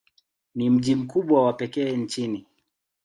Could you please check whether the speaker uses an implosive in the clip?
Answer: yes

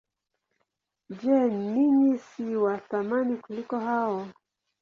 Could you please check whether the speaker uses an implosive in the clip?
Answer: no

